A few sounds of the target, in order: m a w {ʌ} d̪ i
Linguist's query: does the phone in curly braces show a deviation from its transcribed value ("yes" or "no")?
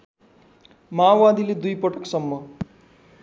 yes